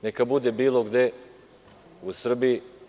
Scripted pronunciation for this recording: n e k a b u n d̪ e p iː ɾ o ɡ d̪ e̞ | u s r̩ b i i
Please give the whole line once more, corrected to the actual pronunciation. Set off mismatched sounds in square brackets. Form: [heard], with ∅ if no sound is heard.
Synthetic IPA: n e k a b u [∅] d̪ e [b] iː [l] o ɡ d̪ e̞ | u s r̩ b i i